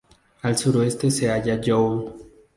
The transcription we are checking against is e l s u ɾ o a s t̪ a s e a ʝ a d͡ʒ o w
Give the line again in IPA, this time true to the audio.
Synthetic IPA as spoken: a l s u ɾ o e s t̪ e s e a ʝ a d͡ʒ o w